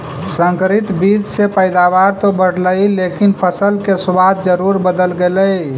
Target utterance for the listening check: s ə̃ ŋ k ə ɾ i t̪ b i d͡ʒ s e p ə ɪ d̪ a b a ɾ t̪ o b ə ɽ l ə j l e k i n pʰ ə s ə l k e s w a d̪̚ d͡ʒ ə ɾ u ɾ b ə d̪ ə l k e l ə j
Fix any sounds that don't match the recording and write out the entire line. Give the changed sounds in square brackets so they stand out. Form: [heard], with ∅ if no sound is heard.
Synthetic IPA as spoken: s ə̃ ŋ k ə ɾ i t̪ b i d͡ʒ s e p ə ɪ d̪ a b a ɾ t̪ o b ə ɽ l ə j l e k i n pʰ ə s ə l k e s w a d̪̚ d͡ʒ ə ɾ u ɾ b ə d̪ ə l [ɡ] e l ə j